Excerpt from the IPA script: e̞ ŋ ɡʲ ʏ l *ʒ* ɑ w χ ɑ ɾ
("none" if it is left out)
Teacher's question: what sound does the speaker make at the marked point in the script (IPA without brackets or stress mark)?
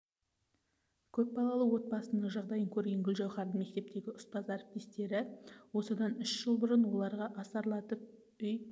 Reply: ʒ